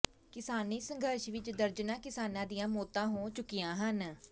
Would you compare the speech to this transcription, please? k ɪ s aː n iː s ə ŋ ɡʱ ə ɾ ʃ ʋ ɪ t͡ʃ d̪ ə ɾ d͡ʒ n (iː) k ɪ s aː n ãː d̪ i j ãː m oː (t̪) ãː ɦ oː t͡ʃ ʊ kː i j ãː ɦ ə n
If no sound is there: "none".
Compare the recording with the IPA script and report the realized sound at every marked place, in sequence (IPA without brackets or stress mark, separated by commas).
aː, t̪